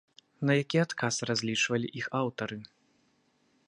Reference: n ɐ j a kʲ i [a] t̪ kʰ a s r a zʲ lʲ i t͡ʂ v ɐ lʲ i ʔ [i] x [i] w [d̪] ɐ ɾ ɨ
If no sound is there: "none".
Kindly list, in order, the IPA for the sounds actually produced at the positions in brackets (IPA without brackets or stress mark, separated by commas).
a, i, a, t̪